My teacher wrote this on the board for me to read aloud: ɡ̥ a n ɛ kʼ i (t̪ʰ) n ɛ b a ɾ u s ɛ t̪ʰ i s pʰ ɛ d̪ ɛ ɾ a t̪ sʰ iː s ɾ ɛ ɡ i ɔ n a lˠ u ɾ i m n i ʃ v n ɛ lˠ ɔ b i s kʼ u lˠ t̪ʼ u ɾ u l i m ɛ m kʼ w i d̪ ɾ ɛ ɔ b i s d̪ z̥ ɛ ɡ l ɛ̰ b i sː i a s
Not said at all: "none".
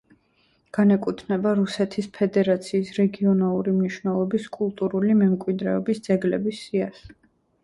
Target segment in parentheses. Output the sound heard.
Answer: t̪ʰ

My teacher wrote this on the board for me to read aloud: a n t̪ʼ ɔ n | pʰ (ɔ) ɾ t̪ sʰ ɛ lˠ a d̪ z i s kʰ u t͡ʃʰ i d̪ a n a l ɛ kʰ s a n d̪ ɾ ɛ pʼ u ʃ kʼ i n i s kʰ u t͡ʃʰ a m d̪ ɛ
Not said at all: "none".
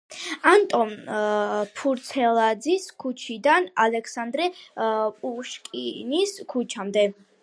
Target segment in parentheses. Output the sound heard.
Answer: u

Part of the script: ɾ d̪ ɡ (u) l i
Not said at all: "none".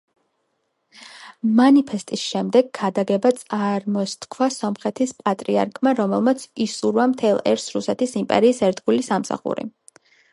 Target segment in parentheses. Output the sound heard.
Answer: u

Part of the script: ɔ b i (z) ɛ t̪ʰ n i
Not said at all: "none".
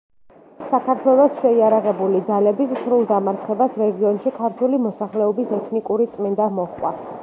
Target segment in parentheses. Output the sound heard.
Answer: s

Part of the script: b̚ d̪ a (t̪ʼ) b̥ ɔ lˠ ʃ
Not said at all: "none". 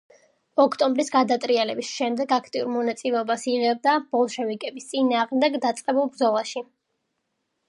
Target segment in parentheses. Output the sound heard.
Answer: none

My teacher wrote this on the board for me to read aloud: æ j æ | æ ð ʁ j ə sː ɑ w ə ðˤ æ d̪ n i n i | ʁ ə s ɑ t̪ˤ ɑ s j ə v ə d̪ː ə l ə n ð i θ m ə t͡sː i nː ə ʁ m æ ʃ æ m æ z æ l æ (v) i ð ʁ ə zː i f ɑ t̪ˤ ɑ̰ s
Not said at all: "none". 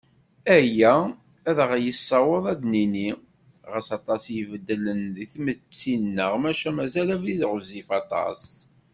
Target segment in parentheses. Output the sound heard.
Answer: v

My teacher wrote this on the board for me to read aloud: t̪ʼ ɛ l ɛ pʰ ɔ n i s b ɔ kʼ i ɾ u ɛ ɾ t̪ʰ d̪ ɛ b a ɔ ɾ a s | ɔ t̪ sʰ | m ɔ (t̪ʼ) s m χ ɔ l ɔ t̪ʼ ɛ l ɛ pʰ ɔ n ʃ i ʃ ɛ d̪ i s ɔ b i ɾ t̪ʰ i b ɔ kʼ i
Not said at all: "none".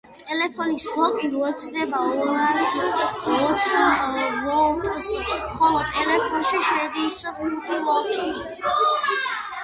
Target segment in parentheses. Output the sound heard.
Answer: t̪ʼ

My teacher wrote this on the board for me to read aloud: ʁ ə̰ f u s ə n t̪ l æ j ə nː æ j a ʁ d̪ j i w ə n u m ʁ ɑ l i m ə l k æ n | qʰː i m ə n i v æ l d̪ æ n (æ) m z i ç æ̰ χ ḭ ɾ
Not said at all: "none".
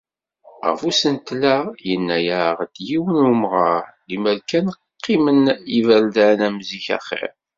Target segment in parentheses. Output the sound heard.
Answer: æ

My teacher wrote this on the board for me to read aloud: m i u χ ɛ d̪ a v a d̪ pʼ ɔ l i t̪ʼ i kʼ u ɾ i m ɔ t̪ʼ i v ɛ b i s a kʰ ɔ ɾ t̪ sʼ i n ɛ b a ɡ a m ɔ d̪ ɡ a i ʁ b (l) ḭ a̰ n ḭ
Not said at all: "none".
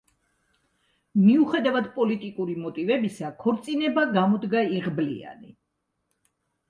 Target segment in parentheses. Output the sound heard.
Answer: l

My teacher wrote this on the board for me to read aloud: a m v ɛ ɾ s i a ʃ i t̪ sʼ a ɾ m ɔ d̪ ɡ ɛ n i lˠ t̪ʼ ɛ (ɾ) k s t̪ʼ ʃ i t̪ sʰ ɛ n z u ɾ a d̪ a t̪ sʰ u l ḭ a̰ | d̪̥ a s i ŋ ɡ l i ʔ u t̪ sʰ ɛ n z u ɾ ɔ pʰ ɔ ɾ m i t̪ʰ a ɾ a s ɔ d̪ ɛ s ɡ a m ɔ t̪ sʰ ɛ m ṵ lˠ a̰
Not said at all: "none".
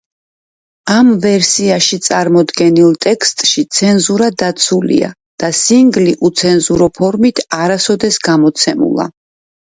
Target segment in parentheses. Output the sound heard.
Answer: none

